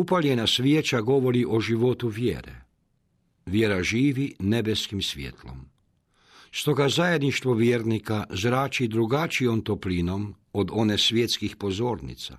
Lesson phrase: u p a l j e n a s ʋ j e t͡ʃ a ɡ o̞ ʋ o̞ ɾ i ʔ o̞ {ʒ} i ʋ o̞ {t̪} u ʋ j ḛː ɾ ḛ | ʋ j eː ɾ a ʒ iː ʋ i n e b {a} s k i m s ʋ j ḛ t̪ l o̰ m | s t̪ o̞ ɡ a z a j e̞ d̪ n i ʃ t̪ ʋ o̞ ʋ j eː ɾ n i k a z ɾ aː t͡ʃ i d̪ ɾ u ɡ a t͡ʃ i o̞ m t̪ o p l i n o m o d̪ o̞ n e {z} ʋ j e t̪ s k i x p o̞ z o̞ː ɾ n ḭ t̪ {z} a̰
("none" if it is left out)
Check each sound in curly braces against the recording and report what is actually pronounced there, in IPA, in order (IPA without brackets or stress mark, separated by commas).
ʒ, t̪, e, s, s